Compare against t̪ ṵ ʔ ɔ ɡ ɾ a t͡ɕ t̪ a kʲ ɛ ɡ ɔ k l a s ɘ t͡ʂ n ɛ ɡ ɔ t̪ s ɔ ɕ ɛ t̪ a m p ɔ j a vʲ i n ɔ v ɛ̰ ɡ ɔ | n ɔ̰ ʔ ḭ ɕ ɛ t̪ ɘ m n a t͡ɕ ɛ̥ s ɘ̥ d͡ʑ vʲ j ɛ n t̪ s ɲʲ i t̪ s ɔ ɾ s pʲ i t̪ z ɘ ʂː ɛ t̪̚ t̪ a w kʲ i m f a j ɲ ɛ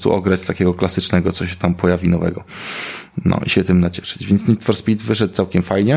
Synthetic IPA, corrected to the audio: t̪ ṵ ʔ ɔ ɡ ɾ a t͡ɕ t̪ a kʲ ɛ ɡ ɔ k l a s ɘ t͡ʂ n ɛ ɡ ɔ t̪ s ɔ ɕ ɛ t̪ a m p ɔ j a vʲ i n ɔ v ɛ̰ ɡ ɔ | n ɔ̰ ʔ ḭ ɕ ɛ t̪ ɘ m n a t͡ɕ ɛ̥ ʂ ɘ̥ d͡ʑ vʲ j ɛ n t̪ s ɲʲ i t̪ f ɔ ɾ s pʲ i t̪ v ɘ ʂ ɛ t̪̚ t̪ a w kʲ ɛ m f a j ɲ ɛ